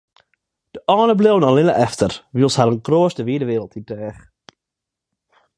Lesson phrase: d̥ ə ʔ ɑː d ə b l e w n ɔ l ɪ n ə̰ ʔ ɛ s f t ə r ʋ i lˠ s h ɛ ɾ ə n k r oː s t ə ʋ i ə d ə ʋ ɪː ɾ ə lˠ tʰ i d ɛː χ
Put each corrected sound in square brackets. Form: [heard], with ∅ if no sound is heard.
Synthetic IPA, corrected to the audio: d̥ ə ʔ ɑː [n] ə b l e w n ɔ l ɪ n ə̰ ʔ ɛ [∅] f t ə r ʋ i lˠ s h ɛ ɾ ə n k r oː s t ə ʋ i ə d ə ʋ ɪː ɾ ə lˠ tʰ i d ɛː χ

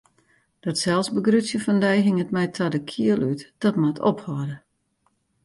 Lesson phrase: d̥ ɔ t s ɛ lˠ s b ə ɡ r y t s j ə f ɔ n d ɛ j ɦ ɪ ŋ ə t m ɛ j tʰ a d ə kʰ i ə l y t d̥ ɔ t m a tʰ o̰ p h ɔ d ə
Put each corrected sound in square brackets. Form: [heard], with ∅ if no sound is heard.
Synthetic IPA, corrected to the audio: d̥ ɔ t s ɛ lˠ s b ə ɡ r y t s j ə f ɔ n d ɛ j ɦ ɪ ŋ ə t m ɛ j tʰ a d ə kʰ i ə l y t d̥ ɔ t m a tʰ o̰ p h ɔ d ə

